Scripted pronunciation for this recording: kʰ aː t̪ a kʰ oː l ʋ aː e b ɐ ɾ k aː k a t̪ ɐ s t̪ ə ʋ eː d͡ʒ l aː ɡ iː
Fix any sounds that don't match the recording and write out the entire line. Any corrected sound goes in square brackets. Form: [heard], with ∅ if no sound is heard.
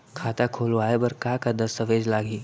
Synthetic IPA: kʰ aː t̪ a kʰ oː l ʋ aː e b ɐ ɾ k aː k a [d̪] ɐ s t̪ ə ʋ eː d͡ʒ l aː ɡ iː